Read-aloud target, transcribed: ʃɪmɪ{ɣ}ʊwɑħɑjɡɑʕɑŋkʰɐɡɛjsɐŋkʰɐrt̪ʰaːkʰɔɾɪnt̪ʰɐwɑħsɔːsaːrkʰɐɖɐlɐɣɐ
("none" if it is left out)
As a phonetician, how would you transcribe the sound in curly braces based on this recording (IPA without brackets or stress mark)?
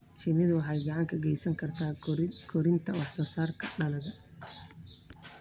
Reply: ð